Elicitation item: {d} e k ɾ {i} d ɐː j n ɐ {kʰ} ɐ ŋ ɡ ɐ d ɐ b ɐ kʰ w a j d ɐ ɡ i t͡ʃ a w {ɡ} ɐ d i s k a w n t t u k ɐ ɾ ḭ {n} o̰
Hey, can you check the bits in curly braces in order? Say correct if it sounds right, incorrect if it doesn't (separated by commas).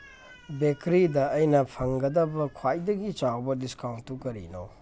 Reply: incorrect, correct, incorrect, incorrect, correct